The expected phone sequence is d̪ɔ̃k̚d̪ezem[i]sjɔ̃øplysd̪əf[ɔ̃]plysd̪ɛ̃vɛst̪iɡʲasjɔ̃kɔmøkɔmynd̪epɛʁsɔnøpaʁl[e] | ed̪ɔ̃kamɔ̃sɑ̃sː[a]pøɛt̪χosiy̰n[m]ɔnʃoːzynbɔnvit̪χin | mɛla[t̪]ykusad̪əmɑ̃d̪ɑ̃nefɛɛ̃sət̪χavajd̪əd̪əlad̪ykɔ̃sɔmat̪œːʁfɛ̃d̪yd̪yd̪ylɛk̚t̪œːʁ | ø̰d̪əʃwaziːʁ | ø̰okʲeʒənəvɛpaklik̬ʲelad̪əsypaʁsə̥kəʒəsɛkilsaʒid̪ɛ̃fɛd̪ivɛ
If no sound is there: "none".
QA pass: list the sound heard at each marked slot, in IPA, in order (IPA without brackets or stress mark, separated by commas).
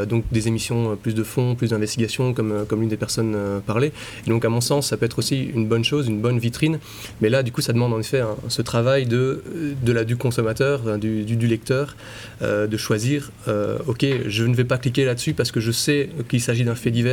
i, ɔ̃, e, a, b, d̪